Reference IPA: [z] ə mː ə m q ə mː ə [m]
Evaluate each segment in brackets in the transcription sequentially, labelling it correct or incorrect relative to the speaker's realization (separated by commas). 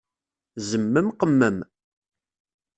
correct, correct